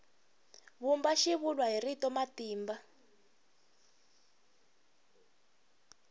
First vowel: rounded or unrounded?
rounded